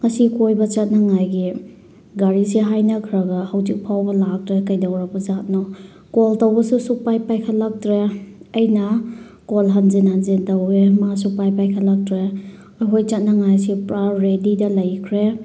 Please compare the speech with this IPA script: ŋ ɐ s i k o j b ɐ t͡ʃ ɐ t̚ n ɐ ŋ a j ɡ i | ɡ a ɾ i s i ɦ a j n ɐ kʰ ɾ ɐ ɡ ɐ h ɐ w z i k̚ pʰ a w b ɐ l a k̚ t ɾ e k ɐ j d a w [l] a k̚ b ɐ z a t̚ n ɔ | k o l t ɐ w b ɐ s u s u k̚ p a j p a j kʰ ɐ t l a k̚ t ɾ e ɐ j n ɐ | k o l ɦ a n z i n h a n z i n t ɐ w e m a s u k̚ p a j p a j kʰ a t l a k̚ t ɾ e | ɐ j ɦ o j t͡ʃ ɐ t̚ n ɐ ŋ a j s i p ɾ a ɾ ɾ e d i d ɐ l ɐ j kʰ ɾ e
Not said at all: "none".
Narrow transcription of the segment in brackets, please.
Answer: ɾ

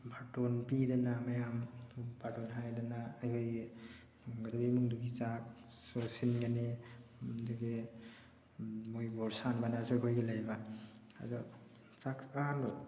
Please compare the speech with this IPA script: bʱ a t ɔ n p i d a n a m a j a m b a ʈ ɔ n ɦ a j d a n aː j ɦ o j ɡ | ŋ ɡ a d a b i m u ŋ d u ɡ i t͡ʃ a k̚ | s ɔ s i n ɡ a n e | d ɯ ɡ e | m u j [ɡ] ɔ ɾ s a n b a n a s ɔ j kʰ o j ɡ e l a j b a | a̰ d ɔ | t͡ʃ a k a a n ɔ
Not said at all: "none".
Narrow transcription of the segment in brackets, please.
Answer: b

